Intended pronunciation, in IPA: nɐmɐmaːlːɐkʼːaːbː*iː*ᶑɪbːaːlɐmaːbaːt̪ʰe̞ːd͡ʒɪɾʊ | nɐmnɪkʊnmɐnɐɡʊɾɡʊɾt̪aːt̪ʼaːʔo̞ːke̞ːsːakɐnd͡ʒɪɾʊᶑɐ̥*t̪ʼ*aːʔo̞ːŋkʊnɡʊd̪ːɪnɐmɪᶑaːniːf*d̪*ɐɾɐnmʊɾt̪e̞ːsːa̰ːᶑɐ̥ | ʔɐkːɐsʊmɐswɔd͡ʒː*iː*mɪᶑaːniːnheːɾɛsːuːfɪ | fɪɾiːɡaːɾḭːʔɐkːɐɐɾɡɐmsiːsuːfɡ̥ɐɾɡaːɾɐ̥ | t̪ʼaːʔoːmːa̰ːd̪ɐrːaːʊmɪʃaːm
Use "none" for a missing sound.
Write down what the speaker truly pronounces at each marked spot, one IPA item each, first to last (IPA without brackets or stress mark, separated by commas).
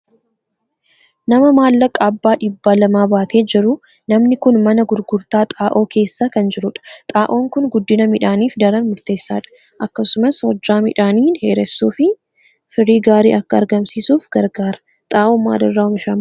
aː, t̪ʼ, d̪, aː